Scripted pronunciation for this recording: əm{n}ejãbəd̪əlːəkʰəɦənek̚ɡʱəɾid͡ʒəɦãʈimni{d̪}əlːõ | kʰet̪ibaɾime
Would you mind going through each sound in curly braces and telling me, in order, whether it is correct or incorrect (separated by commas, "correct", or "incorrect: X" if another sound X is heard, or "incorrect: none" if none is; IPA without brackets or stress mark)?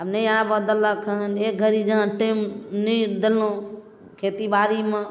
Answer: correct, correct